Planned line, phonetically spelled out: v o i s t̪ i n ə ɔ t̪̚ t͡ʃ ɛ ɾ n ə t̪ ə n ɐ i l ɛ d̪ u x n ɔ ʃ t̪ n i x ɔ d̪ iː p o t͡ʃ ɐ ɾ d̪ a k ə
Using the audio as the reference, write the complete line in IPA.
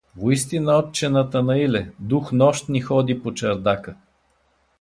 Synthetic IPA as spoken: v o i s t̪ i n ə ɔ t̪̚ t͡ʃ ɛ n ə t̪ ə n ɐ i l ɛ d̪ u x n ɔ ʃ t̪ n i x ɔ d̪ i p o t͡ʃ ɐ ɾ d̪ a k ə